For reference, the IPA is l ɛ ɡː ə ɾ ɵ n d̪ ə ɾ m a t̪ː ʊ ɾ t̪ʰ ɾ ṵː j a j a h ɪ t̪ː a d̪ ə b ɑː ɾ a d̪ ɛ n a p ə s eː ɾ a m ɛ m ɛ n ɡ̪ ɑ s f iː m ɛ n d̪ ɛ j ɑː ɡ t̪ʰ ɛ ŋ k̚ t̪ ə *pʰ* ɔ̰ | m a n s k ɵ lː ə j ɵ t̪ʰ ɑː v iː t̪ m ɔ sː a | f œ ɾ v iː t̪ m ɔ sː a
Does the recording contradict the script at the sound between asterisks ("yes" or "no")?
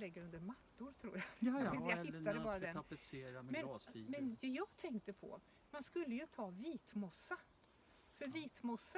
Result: no